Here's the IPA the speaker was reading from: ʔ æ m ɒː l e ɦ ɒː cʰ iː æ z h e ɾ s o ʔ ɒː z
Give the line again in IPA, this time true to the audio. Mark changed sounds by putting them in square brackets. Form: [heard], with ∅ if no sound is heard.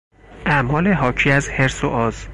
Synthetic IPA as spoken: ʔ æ m ɒː l e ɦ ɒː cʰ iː æ z h e ɾ s o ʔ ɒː z